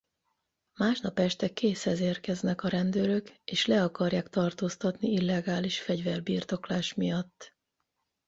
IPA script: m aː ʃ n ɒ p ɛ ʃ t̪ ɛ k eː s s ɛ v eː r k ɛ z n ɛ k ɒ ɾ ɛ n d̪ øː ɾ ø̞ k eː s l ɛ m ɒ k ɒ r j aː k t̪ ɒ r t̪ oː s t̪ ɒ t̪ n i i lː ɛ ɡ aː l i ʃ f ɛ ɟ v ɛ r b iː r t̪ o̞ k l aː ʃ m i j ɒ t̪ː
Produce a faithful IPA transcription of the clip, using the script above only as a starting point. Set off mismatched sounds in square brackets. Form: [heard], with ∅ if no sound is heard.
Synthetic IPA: m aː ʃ n ɒ p ɛ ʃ t̪ ɛ k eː s [h] ɛ [z] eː r k ɛ z n ɛ k ɒ ɾ ɛ n d̪ øː ɾ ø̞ k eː [ʃ] l ɛ [∅] ɒ k ɒ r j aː k t̪ ɒ r t̪ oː s t̪ ɒ t̪ n i i lː ɛ ɡ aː l i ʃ f ɛ ɟ v ɛ r b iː r t̪ o̞ k l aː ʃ m i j ɒ t̪ː